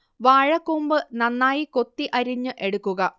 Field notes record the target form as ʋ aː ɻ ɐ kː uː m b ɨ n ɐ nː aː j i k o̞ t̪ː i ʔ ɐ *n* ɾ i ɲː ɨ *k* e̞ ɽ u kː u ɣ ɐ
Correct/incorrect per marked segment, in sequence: incorrect: none, incorrect: ʔ

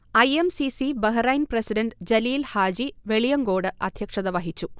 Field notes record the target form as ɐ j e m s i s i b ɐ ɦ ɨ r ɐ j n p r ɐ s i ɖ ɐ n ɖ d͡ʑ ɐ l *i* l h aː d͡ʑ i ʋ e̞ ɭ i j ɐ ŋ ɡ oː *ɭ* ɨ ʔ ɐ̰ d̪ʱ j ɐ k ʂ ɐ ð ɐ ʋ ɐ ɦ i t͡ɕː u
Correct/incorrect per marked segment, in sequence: incorrect: iː, incorrect: ɽ

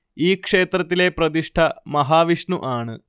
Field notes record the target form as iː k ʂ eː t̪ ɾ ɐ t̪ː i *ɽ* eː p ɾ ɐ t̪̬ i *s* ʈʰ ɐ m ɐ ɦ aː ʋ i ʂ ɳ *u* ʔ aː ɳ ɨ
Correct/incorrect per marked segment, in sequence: incorrect: l, incorrect: ʂ, correct

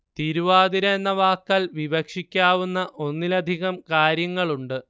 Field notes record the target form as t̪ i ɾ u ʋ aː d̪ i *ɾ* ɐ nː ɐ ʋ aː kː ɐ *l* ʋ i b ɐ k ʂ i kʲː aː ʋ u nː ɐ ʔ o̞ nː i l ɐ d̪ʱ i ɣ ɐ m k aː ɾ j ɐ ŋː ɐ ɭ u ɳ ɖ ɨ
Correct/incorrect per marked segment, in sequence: correct, correct

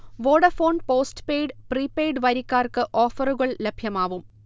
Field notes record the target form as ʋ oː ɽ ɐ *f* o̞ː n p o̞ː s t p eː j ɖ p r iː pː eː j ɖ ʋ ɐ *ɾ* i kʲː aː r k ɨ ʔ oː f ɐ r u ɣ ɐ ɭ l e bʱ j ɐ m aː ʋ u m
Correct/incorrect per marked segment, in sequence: correct, correct

